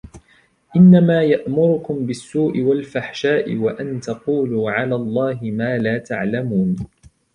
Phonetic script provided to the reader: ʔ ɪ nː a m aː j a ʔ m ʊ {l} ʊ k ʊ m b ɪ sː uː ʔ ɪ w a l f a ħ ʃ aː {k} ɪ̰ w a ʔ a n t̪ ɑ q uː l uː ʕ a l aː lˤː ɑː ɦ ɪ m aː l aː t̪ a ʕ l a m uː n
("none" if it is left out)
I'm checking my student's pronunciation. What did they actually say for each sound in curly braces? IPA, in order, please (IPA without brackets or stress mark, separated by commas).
ɾ, ʔ